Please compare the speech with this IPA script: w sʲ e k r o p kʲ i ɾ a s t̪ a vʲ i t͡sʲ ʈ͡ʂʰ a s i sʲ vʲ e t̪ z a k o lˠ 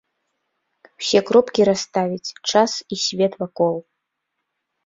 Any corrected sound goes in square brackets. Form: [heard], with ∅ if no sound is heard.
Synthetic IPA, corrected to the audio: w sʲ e k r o p kʲ i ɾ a s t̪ a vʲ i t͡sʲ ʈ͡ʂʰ a s i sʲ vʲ e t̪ [v] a k o lˠ

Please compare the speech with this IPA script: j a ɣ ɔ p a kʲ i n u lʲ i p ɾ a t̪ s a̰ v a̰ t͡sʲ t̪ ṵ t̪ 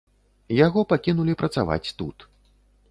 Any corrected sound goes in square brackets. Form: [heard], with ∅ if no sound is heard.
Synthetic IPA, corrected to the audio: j a ɣ ɔ p a kʲ i n u lʲ i p ɾ [ɐ] t̪ s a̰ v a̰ t͡sʲ t̪ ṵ t̪

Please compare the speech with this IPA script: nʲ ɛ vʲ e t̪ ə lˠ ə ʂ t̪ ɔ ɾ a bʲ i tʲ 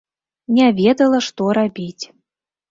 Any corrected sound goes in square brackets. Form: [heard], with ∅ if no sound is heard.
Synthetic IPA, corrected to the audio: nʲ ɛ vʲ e [d̪] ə lˠ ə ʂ t̪ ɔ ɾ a bʲ i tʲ

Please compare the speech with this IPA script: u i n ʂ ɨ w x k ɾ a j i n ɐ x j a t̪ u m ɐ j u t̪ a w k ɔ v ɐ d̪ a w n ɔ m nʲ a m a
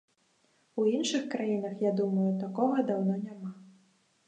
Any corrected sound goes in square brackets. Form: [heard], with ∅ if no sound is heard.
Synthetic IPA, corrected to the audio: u i n ʂ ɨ [∅] x k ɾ a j i n ɐ x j a [d̪] u m ɐ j u t̪ a [∅] k ɔ [ɣ] ɐ d̪ a w n ɔ [∅] nʲ a m a

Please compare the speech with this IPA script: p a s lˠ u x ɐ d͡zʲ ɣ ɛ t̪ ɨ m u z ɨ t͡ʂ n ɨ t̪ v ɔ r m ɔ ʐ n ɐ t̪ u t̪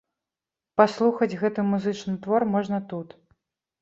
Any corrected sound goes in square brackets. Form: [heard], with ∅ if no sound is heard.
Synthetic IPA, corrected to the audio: p a s lˠ u x ɐ d͡zʲ ɣ ɛ t̪ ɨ m u z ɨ t͡ʂ n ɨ t̪ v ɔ r m ɔ ʐ n ɐ t̪ u t̪

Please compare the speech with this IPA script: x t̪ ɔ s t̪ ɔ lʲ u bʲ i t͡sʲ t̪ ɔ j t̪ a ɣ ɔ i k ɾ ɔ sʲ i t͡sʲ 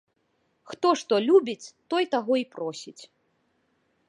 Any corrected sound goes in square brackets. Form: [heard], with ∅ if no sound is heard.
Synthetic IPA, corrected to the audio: x t̪ ɔ [ʂ] t̪ ɔ lʲ u bʲ i t͡sʲ t̪ ɔ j t̪ a ɣ ɔ i [p] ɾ ɔ sʲ i t͡sʲ

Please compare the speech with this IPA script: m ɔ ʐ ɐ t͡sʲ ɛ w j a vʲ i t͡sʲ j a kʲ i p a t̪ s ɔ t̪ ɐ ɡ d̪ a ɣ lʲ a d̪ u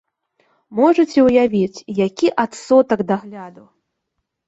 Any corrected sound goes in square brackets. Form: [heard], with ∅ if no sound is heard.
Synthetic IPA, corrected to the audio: m ɔ ʐ ɐ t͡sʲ ɛ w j a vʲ i t͡sʲ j a kʲ i [ʔ] a t̪ s ɔ t̪ ɐ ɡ d̪ a ɣ lʲ a d̪ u

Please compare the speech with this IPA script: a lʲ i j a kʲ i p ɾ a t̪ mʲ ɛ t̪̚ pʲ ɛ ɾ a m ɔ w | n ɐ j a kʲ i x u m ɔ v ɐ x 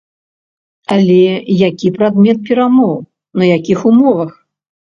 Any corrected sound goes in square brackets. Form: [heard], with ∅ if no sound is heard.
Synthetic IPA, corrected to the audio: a lʲ [ɛ] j a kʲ i p ɾ a [d̪] mʲ ɛ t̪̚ pʲ ɛ ɾ a m ɔ w | n ɐ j a kʲ i x u m ɔ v ɐ x

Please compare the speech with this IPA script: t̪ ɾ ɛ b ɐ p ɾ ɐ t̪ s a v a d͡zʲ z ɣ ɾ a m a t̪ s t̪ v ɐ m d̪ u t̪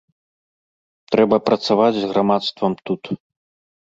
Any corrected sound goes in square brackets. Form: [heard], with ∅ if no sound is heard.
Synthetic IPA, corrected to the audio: t̪ ɾ ɛ b ɐ p ɾ ɐ t̪ s a v a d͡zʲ z ɣ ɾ a m a t̪ s t̪ v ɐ m [t̪] u t̪

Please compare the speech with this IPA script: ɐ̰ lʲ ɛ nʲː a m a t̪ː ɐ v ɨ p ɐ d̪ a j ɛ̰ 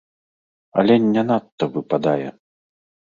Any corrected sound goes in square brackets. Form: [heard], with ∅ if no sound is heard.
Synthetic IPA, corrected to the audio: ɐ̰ lʲ ɛ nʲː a [n] a t̪ː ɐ v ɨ p [a] d̪ a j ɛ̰

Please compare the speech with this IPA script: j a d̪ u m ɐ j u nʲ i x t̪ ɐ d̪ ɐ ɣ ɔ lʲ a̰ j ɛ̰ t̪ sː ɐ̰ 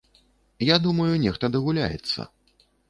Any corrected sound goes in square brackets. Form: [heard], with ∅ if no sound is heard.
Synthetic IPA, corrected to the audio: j a d̪ u m ɐ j u nʲ [ɛ] x t̪ ɐ d̪ ɐ ɣ [u] lʲ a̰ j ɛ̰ t̪ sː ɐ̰

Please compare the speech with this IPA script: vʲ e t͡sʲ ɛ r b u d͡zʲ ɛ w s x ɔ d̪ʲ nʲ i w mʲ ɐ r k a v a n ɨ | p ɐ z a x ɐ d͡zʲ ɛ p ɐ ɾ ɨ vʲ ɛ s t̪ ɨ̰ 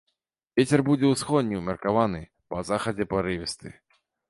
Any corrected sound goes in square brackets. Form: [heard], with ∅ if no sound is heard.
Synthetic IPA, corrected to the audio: vʲ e t͡sʲ ɛ r b u d͡zʲ ɛ w s x ɔ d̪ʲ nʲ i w mʲ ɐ r k a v a n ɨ | p ɐ z a x ɐ d͡zʲ ɛ p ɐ ɾ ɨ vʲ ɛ s t̪ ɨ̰

